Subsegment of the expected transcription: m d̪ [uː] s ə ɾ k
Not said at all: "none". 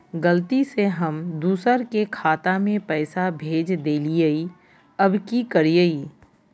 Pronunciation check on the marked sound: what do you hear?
uː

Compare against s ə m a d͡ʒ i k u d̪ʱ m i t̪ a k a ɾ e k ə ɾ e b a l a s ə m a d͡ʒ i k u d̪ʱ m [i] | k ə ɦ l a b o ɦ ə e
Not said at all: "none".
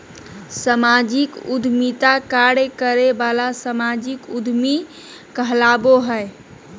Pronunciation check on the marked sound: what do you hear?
i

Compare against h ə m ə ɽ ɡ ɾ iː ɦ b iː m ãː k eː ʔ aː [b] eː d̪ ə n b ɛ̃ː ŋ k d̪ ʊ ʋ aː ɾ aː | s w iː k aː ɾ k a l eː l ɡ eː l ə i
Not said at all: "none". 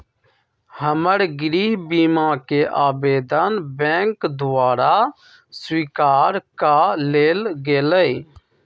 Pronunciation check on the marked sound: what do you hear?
b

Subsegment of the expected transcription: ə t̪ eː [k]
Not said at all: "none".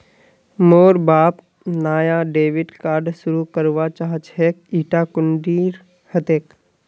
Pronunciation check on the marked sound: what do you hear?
k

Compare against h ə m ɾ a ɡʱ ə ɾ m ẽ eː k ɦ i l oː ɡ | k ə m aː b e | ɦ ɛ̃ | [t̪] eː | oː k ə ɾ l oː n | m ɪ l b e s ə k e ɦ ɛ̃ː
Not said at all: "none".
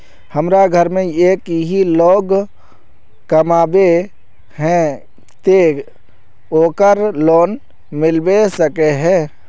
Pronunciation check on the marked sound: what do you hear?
t̪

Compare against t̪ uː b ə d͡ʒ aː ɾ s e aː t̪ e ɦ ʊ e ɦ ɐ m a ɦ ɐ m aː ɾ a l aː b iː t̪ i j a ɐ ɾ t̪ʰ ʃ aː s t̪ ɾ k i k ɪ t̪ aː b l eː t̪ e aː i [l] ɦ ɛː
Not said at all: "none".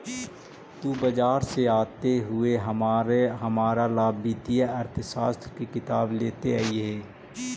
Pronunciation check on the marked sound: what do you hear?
none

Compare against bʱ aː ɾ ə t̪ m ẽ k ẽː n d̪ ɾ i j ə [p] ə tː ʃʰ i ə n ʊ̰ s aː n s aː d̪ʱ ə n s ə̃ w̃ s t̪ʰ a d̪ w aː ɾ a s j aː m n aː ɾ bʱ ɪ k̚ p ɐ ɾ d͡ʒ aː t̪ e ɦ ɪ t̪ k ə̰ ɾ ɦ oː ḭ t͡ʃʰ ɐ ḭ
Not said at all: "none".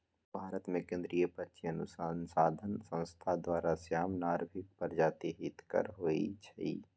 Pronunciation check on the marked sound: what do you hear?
p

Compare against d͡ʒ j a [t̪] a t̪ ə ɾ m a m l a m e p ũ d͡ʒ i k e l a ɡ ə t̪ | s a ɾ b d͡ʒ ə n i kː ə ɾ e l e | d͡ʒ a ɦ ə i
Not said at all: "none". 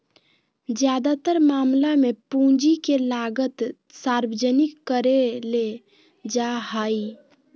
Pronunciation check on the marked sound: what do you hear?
d̪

